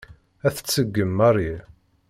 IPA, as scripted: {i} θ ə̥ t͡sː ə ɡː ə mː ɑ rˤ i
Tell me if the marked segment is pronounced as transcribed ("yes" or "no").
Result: no